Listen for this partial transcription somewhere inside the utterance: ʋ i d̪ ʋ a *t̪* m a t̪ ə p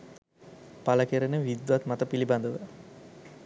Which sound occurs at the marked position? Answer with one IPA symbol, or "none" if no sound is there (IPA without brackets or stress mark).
t̪